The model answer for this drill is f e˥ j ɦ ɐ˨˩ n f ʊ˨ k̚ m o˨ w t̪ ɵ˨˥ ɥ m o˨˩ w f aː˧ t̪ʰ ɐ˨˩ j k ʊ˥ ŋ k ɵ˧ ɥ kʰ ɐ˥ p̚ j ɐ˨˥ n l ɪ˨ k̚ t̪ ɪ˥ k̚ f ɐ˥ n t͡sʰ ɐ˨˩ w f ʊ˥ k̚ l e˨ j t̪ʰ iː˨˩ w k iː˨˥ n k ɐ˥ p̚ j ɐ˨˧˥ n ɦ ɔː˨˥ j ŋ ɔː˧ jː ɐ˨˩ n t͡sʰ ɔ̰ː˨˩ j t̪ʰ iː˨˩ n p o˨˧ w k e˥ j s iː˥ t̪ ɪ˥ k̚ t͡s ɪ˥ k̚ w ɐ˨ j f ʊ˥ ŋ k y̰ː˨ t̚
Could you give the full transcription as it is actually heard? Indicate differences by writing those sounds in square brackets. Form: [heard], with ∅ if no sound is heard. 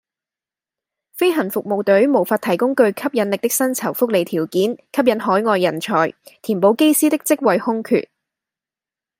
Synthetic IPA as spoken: f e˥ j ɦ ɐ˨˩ n f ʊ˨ k̚ m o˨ w t̪ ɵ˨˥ ɥ m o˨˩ w f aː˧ t̪ʰ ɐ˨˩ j k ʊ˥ ŋ k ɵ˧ ɥ kʰ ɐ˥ p̚ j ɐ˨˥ n l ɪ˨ k̚ t̪ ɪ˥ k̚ [s] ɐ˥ n t͡sʰ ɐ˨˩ w f ʊ˥ k̚ l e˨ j t̪ʰ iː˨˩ w k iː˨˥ n [kʰ] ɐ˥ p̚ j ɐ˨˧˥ n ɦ ɔː˨˥ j ŋ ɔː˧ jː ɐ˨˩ n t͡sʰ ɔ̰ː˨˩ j t̪ʰ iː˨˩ n p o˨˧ w k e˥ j s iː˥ t̪ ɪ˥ k̚ t͡s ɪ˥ k̚ w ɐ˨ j [h] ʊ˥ ŋ [kʰ] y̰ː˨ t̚

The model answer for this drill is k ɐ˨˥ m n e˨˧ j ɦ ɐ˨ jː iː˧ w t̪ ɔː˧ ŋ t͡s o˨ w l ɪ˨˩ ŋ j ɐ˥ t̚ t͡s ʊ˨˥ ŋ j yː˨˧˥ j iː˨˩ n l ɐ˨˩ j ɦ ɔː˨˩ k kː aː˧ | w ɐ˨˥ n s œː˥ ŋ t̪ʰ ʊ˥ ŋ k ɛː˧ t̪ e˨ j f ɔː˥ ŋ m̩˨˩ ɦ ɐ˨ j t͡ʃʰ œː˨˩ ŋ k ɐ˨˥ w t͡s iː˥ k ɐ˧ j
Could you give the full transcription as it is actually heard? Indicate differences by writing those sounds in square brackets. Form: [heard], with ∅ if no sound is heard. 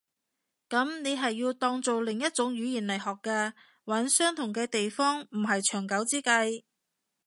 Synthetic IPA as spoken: k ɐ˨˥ m n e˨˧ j ɦ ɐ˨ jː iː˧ w t̪ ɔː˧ ŋ t͡s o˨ w l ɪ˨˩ ŋ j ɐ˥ t̚ t͡s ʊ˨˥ ŋ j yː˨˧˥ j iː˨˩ n l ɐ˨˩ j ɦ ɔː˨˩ k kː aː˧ | w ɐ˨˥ n s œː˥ ŋ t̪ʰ [ʊ˨˩] ŋ k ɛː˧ t̪ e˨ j f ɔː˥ ŋ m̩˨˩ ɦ ɐ˨ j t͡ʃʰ œː˨˩ ŋ k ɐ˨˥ w t͡s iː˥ k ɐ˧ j

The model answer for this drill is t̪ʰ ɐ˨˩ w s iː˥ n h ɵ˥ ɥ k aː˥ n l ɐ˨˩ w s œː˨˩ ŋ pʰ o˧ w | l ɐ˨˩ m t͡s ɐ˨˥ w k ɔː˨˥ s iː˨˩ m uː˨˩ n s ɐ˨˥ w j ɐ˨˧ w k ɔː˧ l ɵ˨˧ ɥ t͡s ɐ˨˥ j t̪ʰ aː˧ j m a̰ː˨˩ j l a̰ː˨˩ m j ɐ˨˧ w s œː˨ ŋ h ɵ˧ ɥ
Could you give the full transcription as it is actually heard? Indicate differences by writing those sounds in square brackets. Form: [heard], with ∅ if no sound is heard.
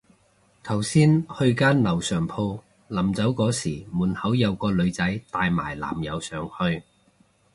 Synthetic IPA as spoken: t̪ʰ ɐ˨˩ w s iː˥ n h [ɵ˧] ɥ k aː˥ n l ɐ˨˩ w s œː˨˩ ŋ pʰ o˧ w | l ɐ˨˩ m t͡s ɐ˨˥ w k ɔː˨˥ s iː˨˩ m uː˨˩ n [h] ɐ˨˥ w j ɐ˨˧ w k ɔː˧ l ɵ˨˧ ɥ t͡s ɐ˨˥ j [t̪] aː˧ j m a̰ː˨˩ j l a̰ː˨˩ m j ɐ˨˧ w s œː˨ ŋ h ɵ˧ ɥ

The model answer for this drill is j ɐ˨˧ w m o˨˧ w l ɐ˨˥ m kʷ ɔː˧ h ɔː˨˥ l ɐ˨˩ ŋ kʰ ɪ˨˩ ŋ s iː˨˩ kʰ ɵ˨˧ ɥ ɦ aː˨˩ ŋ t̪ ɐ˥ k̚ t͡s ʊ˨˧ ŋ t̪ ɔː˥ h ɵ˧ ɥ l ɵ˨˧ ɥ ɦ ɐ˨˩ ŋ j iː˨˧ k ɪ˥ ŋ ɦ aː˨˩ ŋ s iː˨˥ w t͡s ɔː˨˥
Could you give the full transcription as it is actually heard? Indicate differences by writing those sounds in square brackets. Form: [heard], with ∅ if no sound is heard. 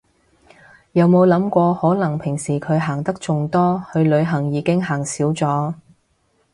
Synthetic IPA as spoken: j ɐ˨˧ w m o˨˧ w l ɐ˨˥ m kʷ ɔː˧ h ɔː˨˥ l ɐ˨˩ ŋ [pʰ] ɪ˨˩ ŋ s iː˨˩ kʰ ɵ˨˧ ɥ ɦ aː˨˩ ŋ t̪ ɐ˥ k̚ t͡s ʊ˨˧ ŋ t̪ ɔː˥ h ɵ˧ ɥ l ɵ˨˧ ɥ ɦ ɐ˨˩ ŋ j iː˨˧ k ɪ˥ ŋ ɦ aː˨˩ ŋ s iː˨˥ w t͡s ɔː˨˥

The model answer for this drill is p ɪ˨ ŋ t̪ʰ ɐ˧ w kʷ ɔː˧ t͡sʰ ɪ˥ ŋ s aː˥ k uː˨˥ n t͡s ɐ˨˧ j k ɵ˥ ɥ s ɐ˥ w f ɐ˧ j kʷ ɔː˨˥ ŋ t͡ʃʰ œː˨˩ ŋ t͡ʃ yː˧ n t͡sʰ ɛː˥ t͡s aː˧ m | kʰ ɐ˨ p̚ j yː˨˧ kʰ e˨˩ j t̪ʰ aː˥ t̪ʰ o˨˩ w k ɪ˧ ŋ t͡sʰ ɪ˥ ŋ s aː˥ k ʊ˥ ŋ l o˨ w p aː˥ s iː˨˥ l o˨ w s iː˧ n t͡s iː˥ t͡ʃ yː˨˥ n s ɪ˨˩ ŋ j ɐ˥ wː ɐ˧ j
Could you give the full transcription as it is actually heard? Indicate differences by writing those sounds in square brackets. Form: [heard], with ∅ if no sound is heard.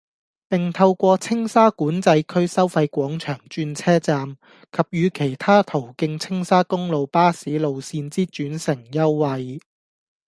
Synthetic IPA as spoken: p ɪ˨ ŋ t̪ʰ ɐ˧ w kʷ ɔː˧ t͡sʰ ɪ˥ ŋ s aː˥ k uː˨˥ n t͡s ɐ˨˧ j [kʰ] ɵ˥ ɥ s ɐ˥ w f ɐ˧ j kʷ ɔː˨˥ ŋ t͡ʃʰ œː˨˩ ŋ t͡ʃ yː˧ n t͡sʰ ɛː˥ t͡s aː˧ m | kʰ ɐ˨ p̚ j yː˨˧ kʰ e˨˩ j t̪ʰ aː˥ t̪ʰ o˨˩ w k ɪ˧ ŋ t͡sʰ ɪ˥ ŋ s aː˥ k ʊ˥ ŋ l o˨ w p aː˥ s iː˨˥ l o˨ w s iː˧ n t͡s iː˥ t͡ʃ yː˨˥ n s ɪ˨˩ ŋ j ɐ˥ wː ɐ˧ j

